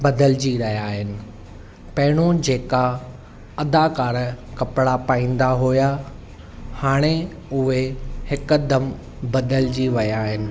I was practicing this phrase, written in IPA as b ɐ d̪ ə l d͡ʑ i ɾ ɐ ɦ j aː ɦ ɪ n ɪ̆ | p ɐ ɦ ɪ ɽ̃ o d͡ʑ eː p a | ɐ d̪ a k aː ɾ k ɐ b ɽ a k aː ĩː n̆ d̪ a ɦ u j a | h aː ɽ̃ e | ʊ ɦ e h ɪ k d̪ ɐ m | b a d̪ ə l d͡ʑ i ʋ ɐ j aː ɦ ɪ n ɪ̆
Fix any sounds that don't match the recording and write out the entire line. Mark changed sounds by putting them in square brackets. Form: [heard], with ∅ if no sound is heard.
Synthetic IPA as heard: b ɐ d̪ ə l d͡ʑ i ɾ ɐ ɦ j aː ɦ ɪ n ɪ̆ | p ɐ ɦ ɪ ɽ̃ o d͡ʑ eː [k] a | ɐ d̪ a k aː ɾ k ɐ [p] ɽ a [p] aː ĩː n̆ d̪ a ɦ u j a | h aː ɽ̃ e | ʊ ɦ e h ɪ k d̪ ɐ m | b [ɐ] d̪ ə l d͡ʑ i ʋ ɐ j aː ɦ ɪ n ɪ̆